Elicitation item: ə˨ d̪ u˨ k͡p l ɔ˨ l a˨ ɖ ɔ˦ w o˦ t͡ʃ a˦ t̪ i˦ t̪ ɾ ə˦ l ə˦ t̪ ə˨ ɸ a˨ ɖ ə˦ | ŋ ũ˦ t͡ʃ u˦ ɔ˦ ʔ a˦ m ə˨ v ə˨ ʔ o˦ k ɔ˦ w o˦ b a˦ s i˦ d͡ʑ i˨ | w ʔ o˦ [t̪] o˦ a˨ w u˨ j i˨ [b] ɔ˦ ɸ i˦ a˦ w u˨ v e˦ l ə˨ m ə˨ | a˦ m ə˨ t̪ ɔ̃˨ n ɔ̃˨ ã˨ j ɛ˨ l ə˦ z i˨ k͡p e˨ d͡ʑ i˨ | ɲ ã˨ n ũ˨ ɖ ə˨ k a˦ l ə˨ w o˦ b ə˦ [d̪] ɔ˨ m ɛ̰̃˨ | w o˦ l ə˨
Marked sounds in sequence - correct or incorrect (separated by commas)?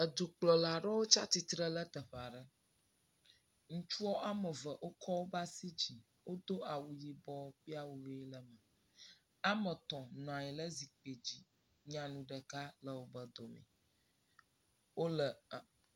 incorrect, correct, correct